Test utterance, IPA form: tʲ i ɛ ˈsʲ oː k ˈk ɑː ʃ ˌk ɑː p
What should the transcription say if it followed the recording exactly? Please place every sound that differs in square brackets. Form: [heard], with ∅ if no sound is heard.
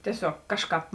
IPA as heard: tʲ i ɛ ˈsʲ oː k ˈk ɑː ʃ ˌk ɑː p